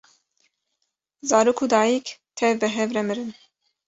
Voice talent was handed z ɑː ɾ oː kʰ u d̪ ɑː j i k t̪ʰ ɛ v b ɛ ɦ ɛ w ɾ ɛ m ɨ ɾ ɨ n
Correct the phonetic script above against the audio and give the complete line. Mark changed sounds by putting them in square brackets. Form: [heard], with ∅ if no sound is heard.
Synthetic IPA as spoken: z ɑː ɾ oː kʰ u d̪ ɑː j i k t̪ʰ ɛ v b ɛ ɦ ɛ [v] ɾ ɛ m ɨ ɾ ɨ n